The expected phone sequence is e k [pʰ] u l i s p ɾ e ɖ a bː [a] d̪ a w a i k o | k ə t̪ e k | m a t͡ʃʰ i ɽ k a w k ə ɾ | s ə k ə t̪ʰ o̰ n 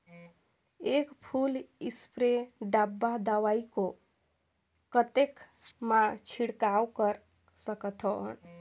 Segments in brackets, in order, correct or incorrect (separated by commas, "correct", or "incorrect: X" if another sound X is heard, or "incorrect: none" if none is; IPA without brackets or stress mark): correct, correct